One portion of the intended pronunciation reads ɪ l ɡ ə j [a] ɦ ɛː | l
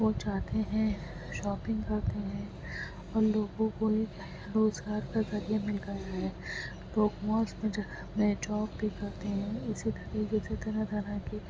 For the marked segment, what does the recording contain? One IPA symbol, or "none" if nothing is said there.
a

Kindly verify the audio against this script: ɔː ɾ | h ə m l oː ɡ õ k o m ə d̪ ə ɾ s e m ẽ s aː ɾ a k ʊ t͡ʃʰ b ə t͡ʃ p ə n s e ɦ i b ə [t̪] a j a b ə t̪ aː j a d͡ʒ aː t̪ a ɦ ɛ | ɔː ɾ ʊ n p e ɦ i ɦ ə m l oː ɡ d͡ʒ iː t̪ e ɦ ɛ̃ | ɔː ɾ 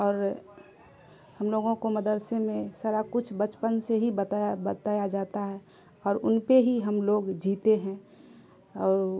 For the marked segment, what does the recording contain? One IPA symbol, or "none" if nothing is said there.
t̪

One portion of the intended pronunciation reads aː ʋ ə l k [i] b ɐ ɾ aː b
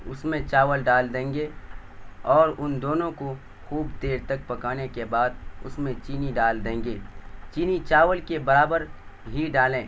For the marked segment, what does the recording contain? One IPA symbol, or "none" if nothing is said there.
e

